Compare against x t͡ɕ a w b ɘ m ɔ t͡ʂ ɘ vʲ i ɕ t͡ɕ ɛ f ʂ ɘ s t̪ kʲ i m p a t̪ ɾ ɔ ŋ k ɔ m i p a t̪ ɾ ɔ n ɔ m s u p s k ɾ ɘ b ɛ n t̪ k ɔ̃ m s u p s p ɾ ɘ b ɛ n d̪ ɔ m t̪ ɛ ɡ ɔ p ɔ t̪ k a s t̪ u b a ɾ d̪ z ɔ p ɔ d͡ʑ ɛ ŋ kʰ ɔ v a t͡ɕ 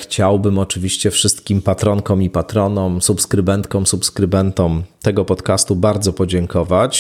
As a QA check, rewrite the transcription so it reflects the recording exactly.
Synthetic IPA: x t͡ɕ a w b ɘ m ɔ t͡ʂ ɘ vʲ i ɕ t͡ɕ ɛ f ʂ ɘ s t̪ kʲ i m p a t̪ ɾ ɔ ŋ k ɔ m i p a t̪ ɾ ɔ n ɔ m s u p s k ɾ ɘ b ɛ n t̪ k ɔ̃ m s u p s k ɾ ɘ b ɛ n t̪ ɔ m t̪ ɛ ɡ ɔ p ɔ t̪ k a s t̪ u b a ɾ d̪ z ɔ p ɔ d͡ʑ ɛ ŋ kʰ ɔ v a t͡ɕ